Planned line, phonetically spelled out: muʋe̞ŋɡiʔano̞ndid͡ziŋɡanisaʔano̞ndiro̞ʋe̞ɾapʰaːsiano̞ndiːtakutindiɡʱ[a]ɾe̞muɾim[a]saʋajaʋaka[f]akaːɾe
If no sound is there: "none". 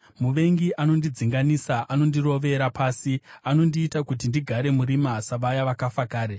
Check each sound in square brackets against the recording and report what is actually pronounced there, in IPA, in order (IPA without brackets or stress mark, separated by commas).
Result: a, a, f